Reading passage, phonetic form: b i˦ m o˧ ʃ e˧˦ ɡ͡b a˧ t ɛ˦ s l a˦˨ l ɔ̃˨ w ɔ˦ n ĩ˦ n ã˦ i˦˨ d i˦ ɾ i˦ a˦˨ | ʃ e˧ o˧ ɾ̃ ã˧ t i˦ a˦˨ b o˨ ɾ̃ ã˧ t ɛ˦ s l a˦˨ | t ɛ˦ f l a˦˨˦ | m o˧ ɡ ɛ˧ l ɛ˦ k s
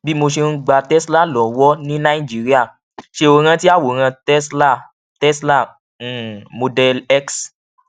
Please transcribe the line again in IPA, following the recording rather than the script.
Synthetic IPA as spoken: b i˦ m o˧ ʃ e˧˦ ɡ͡b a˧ t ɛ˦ s l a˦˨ l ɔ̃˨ w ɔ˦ n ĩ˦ n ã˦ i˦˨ d͡ʒ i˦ ɾ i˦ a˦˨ | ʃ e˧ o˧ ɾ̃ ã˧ t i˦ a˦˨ w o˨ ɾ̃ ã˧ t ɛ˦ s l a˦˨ | t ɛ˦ s l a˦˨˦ | m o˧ d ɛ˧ l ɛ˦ k s